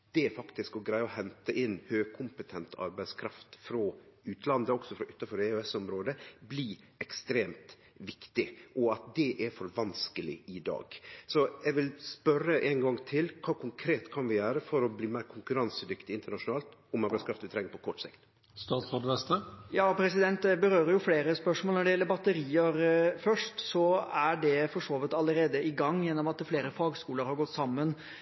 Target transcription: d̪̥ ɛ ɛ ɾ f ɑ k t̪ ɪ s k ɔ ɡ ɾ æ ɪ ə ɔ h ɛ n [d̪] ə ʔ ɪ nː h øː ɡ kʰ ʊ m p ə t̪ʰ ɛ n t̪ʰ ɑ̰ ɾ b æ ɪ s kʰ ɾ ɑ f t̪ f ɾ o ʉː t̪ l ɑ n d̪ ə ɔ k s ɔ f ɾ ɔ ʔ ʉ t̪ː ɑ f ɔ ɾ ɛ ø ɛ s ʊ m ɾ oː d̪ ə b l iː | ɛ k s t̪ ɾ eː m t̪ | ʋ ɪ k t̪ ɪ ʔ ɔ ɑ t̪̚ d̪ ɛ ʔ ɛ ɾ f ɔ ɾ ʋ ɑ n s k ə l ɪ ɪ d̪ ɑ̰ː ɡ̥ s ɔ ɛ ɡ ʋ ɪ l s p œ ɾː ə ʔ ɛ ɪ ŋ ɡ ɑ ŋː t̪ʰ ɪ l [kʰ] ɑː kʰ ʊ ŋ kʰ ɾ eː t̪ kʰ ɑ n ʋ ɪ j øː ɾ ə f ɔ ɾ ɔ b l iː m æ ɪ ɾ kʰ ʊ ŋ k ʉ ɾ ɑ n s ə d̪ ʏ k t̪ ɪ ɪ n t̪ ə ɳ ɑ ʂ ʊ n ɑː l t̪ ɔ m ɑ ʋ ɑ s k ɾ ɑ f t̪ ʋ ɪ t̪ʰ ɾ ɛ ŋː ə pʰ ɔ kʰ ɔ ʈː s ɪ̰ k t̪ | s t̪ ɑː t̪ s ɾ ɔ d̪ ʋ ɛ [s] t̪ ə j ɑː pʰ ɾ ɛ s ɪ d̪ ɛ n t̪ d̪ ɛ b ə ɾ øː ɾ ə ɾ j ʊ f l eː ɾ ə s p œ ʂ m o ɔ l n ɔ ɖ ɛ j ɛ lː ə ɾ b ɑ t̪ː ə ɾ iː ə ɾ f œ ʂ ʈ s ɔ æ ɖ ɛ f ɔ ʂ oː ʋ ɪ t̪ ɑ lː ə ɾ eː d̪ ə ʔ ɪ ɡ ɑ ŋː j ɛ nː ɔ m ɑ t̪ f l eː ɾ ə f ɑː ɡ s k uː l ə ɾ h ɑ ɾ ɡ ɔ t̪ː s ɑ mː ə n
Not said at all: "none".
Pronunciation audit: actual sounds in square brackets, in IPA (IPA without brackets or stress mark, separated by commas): t̪, kʰ, s